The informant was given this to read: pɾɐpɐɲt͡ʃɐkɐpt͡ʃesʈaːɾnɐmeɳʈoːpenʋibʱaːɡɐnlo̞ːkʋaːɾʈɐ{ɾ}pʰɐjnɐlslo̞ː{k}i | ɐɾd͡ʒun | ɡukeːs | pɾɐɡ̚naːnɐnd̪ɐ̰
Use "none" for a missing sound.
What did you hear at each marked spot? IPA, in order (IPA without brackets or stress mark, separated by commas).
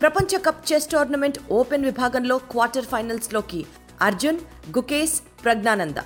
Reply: ɾ, k